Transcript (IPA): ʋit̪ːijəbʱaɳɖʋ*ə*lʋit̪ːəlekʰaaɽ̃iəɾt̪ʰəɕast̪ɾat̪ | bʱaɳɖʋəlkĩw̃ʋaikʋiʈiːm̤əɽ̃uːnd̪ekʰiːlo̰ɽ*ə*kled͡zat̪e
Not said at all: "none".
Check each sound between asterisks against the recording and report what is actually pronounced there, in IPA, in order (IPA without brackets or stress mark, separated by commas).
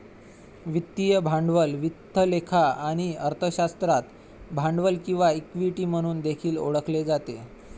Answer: ə, ə